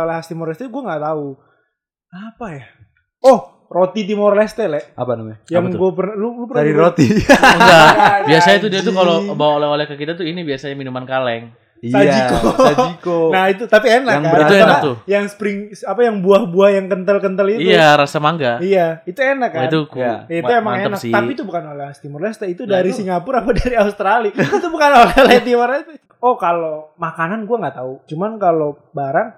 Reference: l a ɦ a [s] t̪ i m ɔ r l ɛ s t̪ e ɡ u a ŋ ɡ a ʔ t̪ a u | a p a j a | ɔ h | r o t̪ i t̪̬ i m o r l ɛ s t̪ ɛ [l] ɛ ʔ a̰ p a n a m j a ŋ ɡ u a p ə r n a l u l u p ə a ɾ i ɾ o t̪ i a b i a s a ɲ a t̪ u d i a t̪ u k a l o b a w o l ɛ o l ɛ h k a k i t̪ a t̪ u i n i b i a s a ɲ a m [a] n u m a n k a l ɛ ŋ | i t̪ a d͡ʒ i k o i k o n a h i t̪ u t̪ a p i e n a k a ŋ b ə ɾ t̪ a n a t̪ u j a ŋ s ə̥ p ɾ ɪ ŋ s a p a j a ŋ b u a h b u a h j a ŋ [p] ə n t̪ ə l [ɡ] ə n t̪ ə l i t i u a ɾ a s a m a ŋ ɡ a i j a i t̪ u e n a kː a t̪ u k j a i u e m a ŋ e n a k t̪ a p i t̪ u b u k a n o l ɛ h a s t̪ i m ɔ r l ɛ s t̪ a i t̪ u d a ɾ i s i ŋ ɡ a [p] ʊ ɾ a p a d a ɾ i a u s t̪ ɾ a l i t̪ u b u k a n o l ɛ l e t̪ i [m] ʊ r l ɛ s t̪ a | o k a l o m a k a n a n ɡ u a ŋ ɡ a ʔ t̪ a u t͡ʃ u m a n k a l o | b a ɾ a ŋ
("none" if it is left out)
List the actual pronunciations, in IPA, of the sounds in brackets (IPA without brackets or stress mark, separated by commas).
s, l, i, k, k, p, m